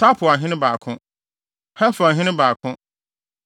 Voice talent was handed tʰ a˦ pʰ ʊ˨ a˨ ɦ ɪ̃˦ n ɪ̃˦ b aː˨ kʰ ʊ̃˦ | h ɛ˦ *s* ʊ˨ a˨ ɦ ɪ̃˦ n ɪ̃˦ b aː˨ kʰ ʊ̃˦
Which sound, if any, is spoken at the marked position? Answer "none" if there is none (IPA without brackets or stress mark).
f